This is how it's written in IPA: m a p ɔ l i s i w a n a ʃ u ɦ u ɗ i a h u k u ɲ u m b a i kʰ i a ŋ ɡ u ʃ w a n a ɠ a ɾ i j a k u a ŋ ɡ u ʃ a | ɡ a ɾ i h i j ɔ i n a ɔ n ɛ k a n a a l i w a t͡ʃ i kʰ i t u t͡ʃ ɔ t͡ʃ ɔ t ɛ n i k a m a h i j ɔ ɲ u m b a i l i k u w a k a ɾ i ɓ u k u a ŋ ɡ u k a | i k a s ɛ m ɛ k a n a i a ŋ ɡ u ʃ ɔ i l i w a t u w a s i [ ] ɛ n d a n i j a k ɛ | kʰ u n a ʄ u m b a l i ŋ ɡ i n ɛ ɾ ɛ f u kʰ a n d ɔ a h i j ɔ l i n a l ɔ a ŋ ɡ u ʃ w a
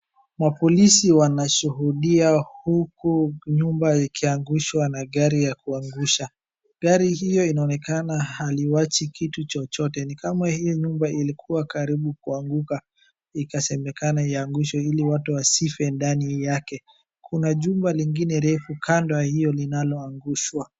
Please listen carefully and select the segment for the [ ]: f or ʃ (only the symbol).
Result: f